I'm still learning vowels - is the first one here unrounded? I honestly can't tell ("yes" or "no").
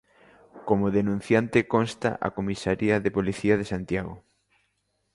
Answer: no